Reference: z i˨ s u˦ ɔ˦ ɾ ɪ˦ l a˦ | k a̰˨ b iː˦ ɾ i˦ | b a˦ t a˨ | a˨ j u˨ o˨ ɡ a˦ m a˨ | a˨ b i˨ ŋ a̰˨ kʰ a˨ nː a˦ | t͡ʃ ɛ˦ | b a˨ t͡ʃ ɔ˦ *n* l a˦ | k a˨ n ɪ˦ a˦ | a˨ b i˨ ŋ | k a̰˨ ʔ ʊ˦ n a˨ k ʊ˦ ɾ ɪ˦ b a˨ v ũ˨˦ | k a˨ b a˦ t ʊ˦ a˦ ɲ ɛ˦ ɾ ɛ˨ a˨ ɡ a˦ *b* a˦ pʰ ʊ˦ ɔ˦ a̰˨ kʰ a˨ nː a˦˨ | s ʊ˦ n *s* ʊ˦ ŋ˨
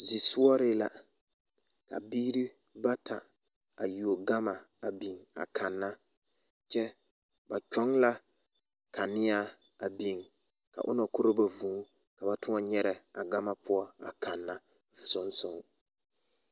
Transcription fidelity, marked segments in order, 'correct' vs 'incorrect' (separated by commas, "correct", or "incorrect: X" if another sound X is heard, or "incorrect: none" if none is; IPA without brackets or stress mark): incorrect: ŋ, incorrect: m, correct